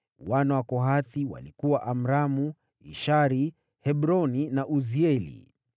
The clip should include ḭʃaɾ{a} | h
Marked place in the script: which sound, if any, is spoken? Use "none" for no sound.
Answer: i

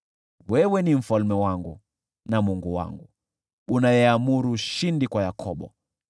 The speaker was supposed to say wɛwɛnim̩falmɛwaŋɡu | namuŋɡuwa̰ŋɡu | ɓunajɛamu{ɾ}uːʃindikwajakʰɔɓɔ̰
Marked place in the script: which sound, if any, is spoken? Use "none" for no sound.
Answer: ɾ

